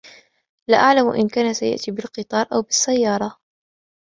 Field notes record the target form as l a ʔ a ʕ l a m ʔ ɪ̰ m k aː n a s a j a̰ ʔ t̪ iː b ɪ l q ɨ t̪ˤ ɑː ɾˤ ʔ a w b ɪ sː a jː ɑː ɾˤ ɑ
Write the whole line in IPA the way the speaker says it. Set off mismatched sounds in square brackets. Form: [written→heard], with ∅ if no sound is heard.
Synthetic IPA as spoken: l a ʔ a ʕ l a m ʔ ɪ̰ [m→n] k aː n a s a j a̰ ʔ t̪ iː b ɪ l q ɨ t̪ˤ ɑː ɾˤ ʔ a w b ɪ sː a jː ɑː ɾˤ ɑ